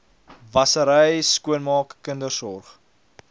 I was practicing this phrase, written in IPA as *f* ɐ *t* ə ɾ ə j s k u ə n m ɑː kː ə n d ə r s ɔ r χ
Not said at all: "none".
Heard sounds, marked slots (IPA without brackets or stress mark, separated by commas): v, s